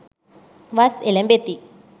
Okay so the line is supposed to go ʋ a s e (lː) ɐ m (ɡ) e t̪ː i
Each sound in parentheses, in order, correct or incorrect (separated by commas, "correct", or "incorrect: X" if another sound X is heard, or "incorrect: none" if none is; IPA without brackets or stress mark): incorrect: l, incorrect: b